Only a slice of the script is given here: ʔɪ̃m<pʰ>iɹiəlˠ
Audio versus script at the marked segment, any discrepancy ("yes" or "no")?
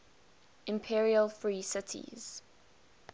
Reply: no